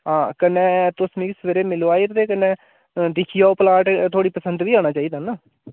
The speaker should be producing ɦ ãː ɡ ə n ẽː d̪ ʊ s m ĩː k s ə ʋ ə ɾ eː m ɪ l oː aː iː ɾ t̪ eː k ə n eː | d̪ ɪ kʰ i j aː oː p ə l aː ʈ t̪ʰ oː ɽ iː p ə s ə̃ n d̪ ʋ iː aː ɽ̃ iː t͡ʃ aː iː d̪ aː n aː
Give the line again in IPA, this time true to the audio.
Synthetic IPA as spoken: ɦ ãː k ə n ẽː t̪ ʊ s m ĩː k s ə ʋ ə ɾ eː m ɪ l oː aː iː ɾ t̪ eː k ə n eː | d̪ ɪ kʰ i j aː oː p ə l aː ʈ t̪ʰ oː ɽ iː p ə s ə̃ n d̪ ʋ iː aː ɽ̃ aː t͡ʃ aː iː d̪ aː n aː